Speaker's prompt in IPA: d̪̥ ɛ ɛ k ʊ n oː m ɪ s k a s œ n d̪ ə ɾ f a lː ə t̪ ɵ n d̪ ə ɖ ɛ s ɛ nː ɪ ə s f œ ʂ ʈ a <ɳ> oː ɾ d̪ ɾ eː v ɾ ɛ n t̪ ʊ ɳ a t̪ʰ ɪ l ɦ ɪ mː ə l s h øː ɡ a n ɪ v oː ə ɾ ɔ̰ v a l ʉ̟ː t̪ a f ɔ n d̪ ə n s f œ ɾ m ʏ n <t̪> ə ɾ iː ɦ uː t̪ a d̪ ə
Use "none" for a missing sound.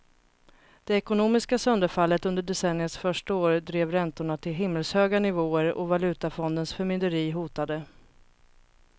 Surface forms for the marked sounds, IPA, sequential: none, d̪

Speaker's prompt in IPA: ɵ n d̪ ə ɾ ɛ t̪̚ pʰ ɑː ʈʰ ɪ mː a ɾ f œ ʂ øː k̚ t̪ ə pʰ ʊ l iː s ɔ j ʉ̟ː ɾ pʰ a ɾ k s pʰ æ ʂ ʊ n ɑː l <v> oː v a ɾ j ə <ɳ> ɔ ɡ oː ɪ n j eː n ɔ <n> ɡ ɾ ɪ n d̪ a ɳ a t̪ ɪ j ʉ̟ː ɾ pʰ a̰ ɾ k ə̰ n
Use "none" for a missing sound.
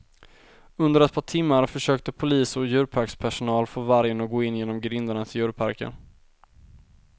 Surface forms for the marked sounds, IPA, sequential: f, n, m

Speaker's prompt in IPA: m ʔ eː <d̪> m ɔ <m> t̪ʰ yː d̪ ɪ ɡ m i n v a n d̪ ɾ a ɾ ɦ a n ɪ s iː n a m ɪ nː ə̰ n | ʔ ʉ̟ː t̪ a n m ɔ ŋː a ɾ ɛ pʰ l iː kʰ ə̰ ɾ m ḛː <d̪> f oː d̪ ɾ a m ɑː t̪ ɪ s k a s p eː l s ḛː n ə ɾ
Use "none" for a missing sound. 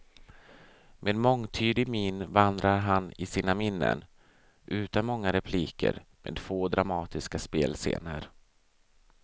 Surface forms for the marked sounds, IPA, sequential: d̪, ŋ, d̪

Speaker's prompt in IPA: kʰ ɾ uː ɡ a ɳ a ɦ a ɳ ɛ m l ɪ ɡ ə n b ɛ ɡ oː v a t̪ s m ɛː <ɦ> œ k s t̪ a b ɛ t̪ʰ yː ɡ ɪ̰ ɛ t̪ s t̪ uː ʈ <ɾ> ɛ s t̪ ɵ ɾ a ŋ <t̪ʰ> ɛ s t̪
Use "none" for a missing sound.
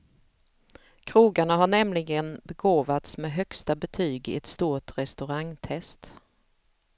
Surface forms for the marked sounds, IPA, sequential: ɦ, ɾ, t̪ʰ

